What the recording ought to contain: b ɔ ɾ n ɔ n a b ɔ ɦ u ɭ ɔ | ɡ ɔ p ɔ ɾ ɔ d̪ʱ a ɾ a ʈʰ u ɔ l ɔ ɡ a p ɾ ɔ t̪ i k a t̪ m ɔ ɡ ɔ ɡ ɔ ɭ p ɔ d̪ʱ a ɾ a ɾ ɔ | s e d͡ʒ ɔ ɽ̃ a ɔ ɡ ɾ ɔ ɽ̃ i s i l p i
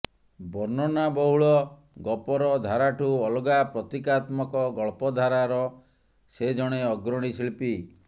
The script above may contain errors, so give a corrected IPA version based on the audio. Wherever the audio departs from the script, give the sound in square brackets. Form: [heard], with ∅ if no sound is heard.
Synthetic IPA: b ɔ ɾ n ɔ n a b ɔ ɦ u ɭ ɔ | ɡ ɔ p ɔ ɾ ɔ d̪ʱ a ɾ a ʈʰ u ɔ l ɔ ɡ a p ɾ ɔ t̪ i k a t̪ m ɔ [k] ɔ ɡ ɔ ɭ p ɔ d̪ʱ a ɾ a ɾ ɔ | s e d͡ʒ ɔ ɽ̃ [e] ɔ ɡ ɾ ɔ ɽ̃ i s i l p i